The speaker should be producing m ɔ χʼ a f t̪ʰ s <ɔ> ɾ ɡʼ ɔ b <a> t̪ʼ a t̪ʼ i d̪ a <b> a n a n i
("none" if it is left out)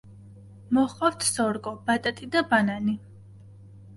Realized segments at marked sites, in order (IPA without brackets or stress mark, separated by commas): ɔ, a, b